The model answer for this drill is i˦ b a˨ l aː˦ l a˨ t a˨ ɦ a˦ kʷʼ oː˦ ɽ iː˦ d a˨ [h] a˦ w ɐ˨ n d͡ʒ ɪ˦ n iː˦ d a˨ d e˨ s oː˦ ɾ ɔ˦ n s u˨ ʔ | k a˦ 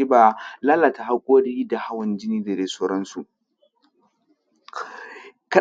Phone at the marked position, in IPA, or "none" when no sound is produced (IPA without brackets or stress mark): h